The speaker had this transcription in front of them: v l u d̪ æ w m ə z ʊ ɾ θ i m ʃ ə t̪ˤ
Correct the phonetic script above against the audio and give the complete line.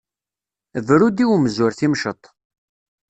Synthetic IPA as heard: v ɾ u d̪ i w m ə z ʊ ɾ θ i m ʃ ə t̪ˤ